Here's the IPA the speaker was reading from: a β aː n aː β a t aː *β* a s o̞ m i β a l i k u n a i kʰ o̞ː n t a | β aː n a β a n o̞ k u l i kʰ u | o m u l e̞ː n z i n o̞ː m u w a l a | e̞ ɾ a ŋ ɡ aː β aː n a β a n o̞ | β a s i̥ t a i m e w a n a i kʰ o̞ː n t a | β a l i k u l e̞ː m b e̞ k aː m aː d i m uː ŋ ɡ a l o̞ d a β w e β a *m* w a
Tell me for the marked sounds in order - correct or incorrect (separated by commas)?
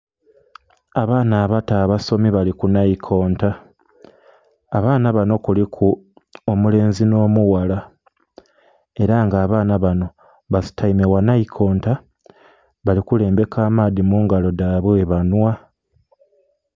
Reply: correct, incorrect